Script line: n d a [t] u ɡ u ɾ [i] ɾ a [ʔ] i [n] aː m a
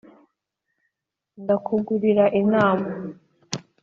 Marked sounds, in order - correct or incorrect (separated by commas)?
incorrect, correct, correct, correct